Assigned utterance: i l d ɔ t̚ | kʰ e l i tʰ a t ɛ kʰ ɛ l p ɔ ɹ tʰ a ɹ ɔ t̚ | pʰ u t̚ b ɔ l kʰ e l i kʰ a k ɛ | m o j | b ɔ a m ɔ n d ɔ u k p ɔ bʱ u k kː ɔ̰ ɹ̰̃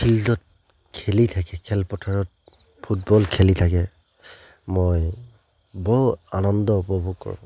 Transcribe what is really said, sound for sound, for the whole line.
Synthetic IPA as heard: i l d ɔ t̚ | kʰ e l i tʰ a k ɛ kʰ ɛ l p ɔ tʰ a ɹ ɔ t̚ | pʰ u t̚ b ɔ l kʰ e l i tʰ a k ɛ | m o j | b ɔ a n ɔ n d ɔ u p ɔ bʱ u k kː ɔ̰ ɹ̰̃